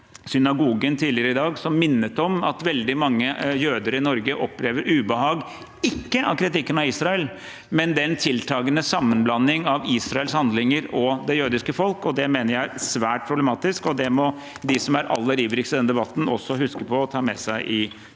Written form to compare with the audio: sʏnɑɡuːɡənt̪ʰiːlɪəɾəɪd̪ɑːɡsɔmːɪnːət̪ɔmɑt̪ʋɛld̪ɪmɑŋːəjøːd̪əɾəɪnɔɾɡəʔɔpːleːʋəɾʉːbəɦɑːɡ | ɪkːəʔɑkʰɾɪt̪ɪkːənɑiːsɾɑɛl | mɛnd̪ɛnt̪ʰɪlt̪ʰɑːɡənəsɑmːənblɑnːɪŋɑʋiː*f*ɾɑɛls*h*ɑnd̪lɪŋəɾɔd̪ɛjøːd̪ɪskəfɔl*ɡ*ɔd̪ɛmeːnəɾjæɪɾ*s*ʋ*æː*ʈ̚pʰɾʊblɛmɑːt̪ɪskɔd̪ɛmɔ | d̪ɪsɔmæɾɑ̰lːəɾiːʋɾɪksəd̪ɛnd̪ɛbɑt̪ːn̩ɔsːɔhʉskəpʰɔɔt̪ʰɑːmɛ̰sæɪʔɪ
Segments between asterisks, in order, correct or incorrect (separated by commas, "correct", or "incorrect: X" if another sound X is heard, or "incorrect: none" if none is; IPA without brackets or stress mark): incorrect: s, correct, incorrect: k, correct, correct